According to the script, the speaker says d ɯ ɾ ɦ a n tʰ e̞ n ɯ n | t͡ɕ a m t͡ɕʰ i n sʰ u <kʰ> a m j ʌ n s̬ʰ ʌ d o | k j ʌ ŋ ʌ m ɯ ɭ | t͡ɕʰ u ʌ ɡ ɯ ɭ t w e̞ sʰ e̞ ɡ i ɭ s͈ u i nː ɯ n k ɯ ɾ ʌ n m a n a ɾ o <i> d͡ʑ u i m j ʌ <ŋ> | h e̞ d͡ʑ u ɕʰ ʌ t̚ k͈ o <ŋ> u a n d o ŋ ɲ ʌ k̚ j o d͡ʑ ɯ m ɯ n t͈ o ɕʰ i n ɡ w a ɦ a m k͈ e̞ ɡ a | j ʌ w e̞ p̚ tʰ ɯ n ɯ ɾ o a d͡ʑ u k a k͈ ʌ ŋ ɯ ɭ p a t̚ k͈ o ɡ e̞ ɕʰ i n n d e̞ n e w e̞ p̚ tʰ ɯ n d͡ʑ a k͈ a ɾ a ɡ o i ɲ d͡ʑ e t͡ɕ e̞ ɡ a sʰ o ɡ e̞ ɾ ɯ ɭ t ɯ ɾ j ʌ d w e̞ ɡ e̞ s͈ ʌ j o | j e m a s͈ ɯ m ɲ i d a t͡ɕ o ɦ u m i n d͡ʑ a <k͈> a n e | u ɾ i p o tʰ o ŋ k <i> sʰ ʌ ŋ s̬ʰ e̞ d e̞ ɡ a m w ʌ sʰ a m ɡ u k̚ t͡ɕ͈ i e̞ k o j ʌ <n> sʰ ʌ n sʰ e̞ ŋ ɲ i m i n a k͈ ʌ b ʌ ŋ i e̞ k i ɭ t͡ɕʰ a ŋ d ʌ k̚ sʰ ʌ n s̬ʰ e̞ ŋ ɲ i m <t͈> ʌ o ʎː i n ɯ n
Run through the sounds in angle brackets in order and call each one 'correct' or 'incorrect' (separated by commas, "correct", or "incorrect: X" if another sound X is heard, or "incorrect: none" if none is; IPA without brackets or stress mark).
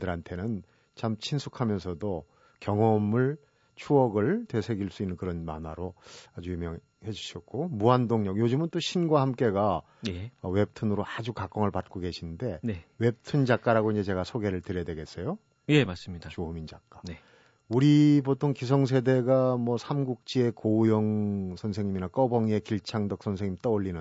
correct, incorrect: a, correct, incorrect: m, correct, correct, incorrect: ŋ, correct